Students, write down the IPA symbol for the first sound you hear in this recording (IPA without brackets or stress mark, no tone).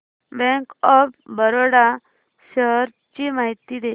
b